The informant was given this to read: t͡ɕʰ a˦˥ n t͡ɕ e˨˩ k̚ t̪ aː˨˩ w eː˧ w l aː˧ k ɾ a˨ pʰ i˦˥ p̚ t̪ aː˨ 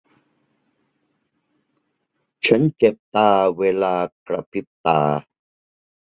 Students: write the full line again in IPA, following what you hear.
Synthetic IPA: t͡ɕʰ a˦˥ n t͡ɕ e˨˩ p̚ t̪ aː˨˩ w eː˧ l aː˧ k ɾ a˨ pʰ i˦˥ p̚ t̪ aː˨